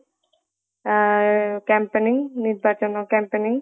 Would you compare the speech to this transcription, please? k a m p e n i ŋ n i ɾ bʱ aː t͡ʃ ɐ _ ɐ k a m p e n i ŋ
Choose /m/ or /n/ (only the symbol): n